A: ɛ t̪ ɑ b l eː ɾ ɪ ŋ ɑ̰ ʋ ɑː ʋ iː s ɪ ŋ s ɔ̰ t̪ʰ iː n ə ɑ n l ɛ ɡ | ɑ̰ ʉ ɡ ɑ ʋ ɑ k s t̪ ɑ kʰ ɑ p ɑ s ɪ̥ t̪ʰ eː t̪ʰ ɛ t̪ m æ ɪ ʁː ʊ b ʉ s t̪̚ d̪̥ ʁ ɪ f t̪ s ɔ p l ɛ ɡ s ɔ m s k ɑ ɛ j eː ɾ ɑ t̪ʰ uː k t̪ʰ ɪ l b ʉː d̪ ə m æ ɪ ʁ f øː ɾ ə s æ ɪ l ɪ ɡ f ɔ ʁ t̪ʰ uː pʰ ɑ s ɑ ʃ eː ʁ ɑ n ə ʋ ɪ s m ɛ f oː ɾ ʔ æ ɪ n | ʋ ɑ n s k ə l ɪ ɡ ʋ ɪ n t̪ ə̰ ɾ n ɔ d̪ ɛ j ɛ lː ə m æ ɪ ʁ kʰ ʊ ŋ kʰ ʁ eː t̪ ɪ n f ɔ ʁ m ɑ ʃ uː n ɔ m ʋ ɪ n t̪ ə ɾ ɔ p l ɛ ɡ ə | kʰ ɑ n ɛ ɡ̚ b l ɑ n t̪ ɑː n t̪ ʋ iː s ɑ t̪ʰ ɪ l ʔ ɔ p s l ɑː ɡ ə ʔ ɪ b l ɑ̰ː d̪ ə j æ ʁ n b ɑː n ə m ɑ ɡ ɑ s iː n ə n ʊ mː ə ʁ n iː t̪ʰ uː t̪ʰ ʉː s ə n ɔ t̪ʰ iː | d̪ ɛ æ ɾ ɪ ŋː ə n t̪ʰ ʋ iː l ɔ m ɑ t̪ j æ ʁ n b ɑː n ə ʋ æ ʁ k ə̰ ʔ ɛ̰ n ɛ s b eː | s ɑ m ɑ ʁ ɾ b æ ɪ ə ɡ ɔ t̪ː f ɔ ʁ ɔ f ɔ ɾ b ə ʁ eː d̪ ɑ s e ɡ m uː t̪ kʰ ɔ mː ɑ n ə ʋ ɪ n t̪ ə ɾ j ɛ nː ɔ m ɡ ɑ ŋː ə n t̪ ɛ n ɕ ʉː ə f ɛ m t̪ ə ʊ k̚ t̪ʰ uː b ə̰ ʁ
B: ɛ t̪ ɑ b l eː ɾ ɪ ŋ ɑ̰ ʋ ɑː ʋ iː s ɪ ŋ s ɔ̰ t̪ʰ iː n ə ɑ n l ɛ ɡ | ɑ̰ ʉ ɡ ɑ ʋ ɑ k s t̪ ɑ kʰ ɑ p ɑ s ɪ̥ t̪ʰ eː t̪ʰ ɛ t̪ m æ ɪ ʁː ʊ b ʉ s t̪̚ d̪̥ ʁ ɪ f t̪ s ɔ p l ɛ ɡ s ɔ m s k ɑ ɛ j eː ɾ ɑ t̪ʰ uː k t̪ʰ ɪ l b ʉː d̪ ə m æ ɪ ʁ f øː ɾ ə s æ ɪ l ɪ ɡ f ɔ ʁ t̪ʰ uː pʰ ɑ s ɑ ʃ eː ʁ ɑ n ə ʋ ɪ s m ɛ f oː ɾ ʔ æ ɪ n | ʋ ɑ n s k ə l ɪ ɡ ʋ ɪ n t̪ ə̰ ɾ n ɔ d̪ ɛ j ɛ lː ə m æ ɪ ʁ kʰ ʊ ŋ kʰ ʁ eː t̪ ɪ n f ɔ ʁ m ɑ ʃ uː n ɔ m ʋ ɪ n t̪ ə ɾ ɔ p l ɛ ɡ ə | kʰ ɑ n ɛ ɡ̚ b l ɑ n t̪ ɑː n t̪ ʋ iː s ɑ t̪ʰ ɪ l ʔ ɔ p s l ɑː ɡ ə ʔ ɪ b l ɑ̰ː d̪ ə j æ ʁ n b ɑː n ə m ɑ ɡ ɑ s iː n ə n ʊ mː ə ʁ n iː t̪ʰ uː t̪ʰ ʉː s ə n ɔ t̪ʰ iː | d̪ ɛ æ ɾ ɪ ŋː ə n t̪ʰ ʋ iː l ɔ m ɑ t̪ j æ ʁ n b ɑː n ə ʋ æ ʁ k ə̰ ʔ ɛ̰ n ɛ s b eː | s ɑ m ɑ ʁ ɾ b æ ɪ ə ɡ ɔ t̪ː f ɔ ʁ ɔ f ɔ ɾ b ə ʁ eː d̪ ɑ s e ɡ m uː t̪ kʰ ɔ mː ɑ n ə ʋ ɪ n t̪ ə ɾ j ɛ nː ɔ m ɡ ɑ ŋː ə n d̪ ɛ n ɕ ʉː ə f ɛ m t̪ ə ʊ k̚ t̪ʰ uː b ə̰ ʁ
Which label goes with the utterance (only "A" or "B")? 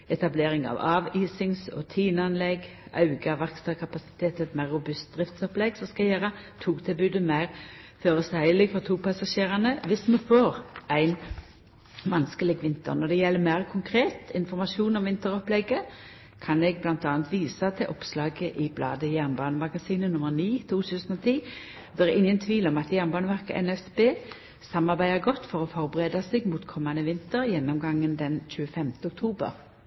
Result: B